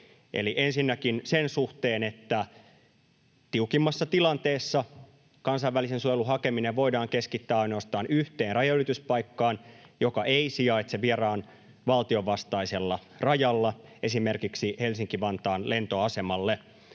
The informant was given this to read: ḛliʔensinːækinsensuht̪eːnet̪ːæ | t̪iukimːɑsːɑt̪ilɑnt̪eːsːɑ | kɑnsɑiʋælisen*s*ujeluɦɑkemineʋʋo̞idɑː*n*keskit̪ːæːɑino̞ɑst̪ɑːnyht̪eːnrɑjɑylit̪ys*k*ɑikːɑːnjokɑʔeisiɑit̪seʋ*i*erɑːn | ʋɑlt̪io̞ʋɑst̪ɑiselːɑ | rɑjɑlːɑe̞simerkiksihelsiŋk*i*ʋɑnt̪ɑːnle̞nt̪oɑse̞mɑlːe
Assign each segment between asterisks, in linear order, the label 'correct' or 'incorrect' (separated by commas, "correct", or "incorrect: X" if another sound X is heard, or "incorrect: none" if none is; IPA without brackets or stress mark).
correct, incorrect: ŋ, incorrect: p, correct, correct